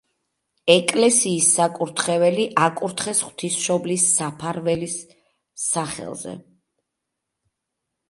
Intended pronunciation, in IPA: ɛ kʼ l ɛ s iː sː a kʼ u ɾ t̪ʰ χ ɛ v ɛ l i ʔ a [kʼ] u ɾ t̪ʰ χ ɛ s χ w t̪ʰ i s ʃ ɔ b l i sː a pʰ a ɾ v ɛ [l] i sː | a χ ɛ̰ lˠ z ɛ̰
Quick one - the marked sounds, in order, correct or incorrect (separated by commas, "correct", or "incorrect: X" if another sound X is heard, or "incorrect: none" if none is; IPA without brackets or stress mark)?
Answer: correct, correct